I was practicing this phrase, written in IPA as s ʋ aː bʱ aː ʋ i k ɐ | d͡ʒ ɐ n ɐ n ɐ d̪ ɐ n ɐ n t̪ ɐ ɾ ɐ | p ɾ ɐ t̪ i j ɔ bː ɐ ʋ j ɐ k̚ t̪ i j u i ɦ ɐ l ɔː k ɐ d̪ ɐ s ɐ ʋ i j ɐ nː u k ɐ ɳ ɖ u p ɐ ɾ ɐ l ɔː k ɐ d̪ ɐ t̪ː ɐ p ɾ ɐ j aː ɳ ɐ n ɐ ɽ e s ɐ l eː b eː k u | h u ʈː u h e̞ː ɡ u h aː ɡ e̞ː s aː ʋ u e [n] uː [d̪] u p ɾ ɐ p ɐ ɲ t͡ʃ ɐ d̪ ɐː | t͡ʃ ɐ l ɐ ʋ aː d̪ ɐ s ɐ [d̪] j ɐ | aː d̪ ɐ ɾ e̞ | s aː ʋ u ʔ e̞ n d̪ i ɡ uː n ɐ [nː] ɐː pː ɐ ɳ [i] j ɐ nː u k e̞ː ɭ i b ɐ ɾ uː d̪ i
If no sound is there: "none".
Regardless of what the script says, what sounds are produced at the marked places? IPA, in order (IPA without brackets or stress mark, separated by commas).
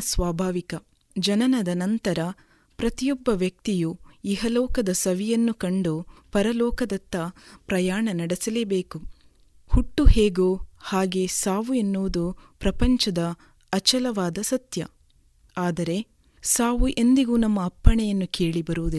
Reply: nː, d̪, t̪, mː, ɛ